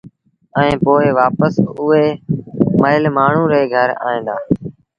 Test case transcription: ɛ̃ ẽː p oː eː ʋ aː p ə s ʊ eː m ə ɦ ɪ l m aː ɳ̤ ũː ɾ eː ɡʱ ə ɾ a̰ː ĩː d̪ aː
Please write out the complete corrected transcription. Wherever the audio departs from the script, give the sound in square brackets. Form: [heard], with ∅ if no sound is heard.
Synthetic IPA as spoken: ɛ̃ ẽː p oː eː ʋ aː p ə s ʊ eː m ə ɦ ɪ l m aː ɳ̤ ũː ɾ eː ɡʱ ə ɾ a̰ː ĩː d̪ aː